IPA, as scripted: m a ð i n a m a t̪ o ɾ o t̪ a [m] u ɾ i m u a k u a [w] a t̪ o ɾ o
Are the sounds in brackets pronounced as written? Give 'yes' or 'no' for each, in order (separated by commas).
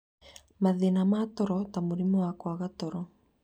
yes, no